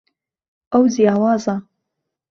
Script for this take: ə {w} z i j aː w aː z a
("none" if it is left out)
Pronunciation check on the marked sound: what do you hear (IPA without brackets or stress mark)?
w